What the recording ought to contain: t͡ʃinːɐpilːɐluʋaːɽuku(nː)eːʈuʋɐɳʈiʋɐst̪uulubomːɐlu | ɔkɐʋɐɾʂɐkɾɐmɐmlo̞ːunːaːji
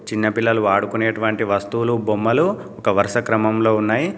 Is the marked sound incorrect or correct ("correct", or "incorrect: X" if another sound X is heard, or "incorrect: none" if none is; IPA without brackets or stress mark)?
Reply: incorrect: n